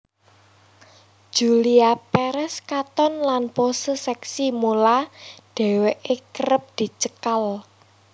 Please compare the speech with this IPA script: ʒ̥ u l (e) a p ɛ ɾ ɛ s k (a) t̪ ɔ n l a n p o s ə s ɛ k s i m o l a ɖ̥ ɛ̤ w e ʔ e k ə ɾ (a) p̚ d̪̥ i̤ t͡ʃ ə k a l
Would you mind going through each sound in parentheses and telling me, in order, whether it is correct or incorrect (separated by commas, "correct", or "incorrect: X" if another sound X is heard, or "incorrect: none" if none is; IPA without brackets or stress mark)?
incorrect: i, correct, incorrect: ə